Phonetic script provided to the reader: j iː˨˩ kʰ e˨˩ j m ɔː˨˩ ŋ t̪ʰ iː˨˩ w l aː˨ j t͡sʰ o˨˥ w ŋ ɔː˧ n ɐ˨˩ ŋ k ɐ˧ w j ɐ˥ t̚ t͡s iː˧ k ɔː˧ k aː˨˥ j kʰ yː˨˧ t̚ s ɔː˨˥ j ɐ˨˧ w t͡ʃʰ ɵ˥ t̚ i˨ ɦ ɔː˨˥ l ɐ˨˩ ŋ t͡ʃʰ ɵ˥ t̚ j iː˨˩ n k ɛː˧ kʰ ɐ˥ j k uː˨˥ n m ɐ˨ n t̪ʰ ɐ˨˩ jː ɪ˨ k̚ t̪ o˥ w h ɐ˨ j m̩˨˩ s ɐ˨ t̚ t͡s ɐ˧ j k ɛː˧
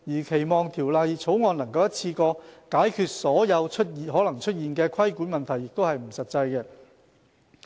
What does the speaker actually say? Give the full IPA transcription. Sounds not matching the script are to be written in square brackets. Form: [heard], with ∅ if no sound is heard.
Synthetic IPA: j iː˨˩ kʰ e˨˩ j m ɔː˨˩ ŋ t̪ʰ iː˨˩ w l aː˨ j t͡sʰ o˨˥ w ŋ ɔː˧ n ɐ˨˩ ŋ k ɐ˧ w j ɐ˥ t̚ [t͡sʰ] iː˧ k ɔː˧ k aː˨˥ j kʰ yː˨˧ t̚ s ɔː˨˥ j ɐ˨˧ w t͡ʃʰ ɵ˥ t̚ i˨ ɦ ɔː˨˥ l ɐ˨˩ ŋ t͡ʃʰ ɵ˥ t̚ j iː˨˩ n k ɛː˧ kʰ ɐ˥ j k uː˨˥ n m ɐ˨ n t̪ʰ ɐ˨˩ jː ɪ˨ k̚ t̪ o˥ w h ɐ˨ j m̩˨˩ s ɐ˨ t̚ t͡s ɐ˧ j k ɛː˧